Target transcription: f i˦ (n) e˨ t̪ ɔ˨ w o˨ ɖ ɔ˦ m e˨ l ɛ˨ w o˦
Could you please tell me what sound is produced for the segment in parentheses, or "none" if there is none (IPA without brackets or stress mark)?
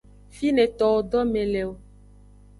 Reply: n